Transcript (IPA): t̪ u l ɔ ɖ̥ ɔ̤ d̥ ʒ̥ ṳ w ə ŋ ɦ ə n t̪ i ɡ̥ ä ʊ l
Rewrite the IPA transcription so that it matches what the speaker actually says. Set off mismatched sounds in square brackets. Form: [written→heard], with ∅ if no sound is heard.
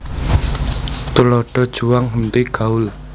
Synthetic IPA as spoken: t̪ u l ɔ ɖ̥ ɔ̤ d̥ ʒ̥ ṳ w [ə→a] ŋ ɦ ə n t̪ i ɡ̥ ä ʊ l